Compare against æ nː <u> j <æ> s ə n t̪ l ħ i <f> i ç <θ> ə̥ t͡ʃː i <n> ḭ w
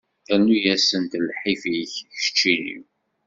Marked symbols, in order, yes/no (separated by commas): yes, yes, yes, no, yes